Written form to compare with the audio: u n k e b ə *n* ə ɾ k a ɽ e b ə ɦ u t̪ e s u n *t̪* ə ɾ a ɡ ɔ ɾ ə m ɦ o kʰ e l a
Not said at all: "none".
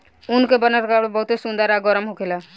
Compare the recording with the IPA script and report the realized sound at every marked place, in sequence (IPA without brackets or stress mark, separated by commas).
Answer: n, d̪